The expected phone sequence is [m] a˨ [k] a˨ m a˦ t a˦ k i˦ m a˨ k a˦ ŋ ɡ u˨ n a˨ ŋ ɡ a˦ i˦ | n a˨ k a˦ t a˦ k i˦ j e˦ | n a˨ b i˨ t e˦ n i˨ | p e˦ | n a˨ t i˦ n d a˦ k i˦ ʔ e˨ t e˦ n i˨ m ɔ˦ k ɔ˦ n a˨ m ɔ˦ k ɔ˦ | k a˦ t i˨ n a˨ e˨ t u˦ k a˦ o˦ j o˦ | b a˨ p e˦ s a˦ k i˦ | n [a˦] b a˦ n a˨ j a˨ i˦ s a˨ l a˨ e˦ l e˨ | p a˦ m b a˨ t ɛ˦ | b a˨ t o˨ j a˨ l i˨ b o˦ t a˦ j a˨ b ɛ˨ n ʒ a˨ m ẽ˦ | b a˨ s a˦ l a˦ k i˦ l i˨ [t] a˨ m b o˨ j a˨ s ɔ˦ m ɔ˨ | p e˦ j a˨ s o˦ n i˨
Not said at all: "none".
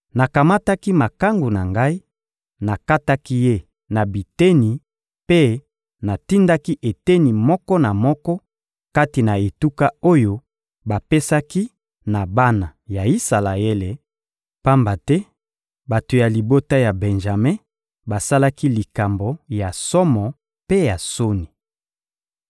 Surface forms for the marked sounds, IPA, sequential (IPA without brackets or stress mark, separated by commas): n, k, a˨, k